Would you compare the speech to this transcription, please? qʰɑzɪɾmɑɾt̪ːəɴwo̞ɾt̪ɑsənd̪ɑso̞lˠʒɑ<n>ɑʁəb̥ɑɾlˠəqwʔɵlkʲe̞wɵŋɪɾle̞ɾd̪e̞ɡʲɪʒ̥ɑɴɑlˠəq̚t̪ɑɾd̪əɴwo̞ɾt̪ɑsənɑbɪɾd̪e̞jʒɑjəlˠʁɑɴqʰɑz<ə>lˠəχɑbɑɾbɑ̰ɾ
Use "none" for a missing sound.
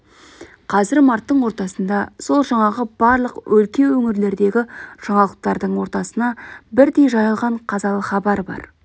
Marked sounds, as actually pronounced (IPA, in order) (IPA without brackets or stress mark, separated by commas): ɴ, ɑ